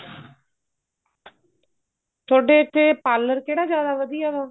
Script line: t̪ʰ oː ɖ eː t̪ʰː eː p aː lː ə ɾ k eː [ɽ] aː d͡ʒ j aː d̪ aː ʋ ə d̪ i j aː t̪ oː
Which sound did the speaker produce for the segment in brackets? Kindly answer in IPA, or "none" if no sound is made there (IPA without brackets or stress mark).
ɽ